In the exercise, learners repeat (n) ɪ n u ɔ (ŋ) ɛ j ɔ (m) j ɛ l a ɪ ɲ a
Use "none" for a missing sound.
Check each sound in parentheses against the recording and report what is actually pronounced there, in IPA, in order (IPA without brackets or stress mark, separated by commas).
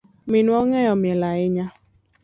m, ŋ, m